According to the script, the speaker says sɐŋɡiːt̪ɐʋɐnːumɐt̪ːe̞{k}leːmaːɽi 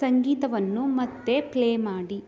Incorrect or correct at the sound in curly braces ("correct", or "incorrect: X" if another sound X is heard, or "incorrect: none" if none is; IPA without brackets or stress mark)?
incorrect: p